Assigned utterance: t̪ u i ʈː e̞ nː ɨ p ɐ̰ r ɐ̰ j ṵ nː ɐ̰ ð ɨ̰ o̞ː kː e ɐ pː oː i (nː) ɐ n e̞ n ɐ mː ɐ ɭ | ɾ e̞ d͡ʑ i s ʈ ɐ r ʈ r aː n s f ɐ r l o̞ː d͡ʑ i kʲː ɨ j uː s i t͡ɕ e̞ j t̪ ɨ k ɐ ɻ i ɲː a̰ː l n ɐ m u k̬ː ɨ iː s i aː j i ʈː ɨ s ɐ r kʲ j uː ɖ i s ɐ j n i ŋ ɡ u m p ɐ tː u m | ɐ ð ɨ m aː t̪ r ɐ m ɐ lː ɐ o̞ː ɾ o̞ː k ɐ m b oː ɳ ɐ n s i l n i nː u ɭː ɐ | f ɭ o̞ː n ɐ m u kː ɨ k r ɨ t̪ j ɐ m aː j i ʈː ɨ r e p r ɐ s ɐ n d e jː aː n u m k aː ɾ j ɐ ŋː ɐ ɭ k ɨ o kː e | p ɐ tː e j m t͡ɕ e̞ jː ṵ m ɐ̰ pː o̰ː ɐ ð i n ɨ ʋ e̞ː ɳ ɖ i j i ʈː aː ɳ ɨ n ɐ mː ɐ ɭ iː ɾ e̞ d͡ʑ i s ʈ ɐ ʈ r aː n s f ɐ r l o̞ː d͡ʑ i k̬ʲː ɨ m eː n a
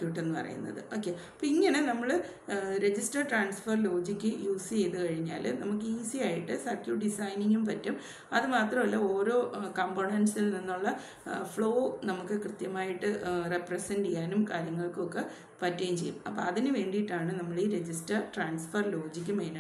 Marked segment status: incorrect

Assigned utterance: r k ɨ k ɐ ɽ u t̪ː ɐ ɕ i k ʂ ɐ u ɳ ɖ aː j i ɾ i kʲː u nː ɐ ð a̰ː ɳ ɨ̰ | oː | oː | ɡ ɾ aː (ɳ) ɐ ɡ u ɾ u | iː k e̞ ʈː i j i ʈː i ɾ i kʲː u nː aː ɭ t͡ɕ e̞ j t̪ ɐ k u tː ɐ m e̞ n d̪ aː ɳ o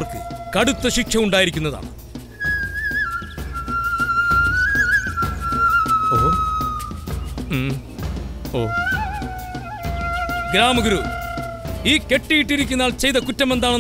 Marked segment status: incorrect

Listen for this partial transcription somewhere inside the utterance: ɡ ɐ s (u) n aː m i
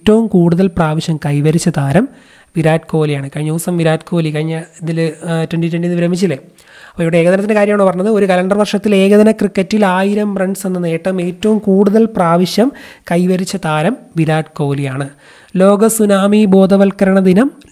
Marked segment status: correct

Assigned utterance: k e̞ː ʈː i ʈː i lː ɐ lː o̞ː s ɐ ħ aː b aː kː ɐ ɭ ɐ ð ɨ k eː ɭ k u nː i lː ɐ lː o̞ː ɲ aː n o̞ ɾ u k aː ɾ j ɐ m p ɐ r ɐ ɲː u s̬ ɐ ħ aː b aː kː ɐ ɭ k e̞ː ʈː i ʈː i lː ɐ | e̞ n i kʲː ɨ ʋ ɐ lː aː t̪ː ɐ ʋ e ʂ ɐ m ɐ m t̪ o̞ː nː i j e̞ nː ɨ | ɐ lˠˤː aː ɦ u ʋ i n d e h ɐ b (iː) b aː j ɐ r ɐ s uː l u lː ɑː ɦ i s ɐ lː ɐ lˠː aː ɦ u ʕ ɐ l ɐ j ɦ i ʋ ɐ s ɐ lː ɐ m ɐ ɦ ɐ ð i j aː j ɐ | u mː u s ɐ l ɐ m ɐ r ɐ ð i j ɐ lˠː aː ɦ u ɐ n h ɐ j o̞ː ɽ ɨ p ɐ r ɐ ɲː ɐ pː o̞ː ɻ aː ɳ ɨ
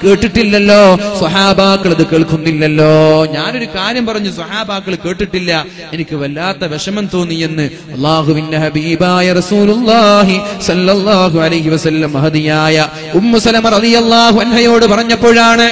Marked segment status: correct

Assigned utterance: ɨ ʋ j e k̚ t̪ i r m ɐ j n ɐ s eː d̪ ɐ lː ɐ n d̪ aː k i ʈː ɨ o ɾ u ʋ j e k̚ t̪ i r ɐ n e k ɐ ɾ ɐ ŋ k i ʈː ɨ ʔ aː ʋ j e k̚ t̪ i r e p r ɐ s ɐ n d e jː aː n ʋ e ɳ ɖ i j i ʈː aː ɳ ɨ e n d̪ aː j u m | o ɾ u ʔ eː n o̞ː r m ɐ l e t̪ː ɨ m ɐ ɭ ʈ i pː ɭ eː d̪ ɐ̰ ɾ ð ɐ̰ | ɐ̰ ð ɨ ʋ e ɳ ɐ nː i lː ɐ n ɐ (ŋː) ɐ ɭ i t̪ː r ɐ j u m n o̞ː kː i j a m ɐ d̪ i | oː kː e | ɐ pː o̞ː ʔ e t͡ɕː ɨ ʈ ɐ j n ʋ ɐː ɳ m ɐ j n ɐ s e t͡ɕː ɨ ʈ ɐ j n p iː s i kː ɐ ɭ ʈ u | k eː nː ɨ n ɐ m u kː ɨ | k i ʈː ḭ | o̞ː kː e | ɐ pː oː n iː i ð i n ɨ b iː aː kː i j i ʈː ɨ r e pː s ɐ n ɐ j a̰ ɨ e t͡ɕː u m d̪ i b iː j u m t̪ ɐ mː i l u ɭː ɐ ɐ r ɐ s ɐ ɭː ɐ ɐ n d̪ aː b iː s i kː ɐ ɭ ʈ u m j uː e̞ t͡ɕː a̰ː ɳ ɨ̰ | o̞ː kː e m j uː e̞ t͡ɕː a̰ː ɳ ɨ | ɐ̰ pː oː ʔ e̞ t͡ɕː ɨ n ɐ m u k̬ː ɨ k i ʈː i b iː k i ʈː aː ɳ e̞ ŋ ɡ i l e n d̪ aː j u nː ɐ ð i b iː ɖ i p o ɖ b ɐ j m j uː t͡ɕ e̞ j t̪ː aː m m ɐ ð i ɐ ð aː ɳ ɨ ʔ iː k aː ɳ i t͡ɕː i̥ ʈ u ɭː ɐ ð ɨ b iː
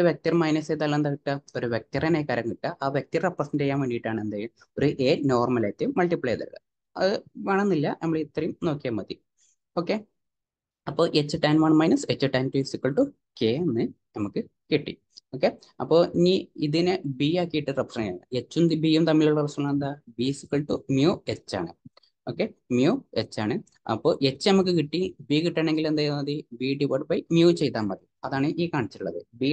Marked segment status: incorrect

